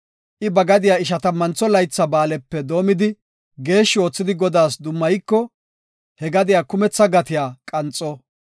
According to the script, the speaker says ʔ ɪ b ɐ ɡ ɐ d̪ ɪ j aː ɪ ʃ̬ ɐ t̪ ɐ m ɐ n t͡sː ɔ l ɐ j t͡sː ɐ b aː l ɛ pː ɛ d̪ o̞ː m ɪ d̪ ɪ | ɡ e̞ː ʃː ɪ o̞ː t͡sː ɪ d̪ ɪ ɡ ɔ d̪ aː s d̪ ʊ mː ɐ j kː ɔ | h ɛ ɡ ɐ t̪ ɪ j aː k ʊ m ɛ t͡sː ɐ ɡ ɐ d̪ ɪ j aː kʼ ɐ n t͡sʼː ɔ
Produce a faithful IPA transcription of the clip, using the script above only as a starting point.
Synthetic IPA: ʔ ɪ b ɐ ɡ ɐ d̪ ɪ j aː ɪ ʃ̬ ɐ t̪ ɐ m ɐ n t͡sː ɔ l ɐ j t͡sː ɐ b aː l ɛ pː ɛ d̪ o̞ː m ɪ d̪ ɪ | ɡ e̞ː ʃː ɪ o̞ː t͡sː ɪ d̪ ɪ ɡ ɔ d̪ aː s d̪ ʊ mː ɐ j kː ɔ | h ɛ ɡ ɐ d̪ ɪ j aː k ʊ m ɛ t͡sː ɐ ɡ ɐ t̪ ɪ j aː kʼ ɐ n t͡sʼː ɔ